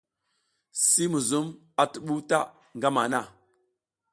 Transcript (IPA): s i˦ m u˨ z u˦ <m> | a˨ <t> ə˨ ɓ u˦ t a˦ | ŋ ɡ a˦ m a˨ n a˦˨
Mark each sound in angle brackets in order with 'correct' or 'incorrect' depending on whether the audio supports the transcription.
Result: correct, correct

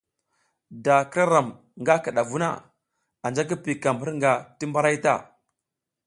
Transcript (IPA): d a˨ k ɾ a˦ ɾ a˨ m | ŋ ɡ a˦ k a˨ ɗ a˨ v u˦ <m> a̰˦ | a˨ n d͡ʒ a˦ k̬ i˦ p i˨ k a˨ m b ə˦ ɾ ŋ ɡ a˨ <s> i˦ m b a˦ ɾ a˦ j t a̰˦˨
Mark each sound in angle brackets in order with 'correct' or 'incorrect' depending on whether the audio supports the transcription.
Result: incorrect: n, incorrect: t

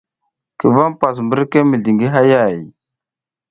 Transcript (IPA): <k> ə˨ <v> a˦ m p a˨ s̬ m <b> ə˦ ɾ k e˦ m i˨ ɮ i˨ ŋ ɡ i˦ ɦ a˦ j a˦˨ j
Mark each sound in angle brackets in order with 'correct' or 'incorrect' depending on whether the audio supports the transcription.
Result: correct, correct, correct

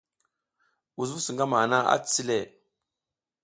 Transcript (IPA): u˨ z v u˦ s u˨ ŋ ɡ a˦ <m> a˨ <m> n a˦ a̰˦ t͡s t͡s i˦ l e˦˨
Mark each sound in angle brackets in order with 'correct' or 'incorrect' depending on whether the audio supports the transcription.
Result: correct, incorrect: none

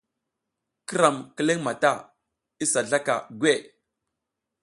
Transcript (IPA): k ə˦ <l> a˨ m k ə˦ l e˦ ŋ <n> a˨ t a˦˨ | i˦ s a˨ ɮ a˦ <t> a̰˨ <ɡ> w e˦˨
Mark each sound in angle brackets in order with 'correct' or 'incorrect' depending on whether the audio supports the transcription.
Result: incorrect: ɾ, incorrect: m, incorrect: k, correct

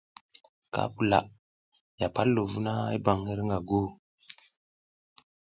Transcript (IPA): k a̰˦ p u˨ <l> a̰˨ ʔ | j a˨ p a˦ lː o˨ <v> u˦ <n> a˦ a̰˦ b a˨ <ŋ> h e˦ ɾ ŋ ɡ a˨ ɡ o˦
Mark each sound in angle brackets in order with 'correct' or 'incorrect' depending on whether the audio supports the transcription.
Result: correct, correct, correct, correct

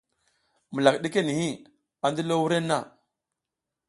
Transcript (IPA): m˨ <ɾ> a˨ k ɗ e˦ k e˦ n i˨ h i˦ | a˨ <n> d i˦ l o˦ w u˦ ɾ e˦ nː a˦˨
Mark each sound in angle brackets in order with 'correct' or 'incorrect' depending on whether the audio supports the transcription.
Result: incorrect: l, correct

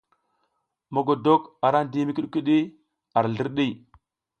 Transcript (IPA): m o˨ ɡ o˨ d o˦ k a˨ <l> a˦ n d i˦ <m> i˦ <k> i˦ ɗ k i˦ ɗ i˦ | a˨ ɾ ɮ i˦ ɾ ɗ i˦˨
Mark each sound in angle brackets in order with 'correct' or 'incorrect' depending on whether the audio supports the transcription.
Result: incorrect: ɾ, correct, correct

